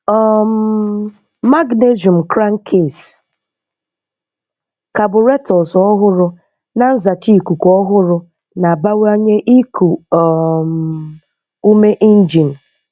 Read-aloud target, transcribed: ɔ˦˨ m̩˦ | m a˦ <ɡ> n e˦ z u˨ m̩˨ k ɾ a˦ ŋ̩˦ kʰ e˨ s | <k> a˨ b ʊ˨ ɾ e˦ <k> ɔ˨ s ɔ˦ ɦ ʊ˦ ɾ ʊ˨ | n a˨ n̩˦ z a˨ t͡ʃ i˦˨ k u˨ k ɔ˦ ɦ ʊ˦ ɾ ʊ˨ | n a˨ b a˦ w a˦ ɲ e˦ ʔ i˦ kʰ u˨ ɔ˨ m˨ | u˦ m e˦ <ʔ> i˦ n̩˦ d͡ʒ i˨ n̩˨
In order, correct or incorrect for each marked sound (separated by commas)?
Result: correct, correct, incorrect, correct